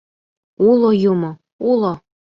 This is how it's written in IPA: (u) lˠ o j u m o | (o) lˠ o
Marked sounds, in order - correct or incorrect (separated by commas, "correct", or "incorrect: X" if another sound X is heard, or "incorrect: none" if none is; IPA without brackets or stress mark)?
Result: correct, incorrect: u